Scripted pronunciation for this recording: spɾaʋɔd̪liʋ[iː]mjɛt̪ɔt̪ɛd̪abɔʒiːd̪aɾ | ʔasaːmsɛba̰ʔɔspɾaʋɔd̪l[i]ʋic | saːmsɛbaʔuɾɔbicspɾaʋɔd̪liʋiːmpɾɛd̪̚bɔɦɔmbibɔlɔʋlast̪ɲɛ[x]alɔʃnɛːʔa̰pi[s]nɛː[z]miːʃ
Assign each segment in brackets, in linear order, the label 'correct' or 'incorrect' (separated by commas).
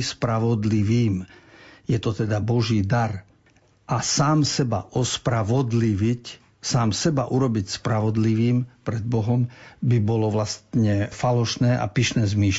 correct, correct, incorrect, incorrect, correct